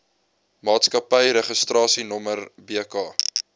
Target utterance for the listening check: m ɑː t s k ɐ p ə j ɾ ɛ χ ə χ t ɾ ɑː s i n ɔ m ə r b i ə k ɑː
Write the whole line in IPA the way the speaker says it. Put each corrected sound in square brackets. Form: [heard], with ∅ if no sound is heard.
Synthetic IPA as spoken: m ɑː t s k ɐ p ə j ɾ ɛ χ ə [s] t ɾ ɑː s i n ɔ m ə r b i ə k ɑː